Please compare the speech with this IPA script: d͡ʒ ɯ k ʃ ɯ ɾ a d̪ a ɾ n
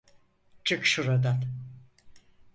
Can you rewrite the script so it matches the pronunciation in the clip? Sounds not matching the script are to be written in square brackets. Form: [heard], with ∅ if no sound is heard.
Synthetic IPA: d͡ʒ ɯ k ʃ [u] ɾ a d̪ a [∅] n

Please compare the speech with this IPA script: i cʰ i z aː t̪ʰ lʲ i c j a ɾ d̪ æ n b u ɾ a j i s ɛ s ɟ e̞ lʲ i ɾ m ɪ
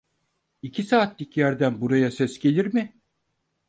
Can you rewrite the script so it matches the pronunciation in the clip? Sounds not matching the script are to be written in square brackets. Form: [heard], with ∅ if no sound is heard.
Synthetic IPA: i cʰ i [s] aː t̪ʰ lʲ i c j [æ] ɾ d̪ æ n b u ɾ a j [a] s ɛ s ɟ e̞ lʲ i ɾ m ɪ

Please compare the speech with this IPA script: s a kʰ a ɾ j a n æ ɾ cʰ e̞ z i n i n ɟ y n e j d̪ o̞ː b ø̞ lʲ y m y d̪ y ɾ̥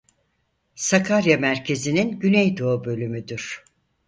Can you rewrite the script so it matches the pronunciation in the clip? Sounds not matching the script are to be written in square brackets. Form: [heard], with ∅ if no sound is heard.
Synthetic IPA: s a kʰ a ɾ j a [m] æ ɾ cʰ e̞ z i n i n ɟ y n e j d̪ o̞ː b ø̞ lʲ y m y d̪ y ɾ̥

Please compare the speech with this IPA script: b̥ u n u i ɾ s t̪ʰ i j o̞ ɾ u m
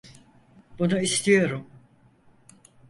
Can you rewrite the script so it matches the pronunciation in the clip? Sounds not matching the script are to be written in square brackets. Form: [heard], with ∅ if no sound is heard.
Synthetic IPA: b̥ u n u i [∅] s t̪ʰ i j o̞ ɾ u m

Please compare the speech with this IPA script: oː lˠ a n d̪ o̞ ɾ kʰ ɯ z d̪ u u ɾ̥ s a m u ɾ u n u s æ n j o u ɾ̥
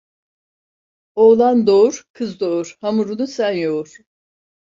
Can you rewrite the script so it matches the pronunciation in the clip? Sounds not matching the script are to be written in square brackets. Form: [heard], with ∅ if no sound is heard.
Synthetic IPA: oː lˠ a n d̪ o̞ ɾ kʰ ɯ z d̪ [o] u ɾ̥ [h] a m u ɾ u n u s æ n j o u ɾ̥

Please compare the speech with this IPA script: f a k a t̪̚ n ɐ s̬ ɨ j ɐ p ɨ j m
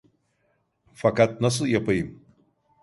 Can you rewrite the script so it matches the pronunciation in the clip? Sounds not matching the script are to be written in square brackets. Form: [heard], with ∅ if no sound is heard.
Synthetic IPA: f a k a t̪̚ n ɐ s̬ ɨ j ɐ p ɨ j m

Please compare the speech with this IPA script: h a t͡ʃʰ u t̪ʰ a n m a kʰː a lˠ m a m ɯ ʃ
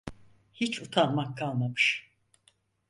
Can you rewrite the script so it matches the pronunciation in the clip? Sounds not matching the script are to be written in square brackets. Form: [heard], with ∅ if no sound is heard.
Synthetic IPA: h [i] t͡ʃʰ u t̪ʰ a n m a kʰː a lˠ m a m ɯ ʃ

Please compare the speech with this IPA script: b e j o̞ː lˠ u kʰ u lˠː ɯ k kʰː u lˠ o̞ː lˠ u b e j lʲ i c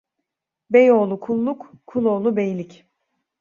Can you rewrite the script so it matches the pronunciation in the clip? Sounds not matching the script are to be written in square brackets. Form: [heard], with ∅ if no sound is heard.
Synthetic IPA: b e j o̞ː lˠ u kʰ u lˠː [u] k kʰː u lˠ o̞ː lˠ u b e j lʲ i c

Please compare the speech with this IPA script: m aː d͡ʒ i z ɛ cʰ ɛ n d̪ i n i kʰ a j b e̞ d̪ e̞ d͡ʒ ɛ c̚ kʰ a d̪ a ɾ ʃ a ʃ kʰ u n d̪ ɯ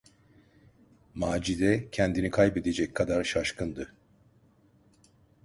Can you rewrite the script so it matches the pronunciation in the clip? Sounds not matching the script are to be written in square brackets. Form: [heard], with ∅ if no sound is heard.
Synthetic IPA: m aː d͡ʒ i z ɛ cʰ ɛ n d̪ i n i kʰ a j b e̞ d̪ e̞ d͡ʒ ɛ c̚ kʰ a d̪ a ɾ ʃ a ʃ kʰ [ɯ] n d̪ ɯ

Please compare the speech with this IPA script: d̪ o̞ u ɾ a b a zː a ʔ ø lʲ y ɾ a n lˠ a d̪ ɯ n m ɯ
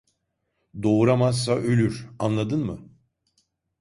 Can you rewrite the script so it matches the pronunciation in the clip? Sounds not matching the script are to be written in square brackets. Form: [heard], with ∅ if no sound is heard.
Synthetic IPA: d̪ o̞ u ɾ a [m] a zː a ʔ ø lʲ y ɾ a n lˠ a d̪ ɯ n m ɯ

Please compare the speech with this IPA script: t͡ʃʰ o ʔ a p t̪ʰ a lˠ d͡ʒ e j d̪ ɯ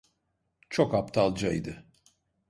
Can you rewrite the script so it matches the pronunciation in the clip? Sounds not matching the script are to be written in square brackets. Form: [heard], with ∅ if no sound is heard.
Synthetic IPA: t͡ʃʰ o [k] a p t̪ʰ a lˠ d͡ʒ [a] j d̪ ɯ

